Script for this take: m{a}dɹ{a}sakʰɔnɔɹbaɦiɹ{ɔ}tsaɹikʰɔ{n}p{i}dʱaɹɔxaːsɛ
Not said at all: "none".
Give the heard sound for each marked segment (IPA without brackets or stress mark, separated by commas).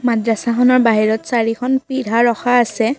a, a, ɔ, n, i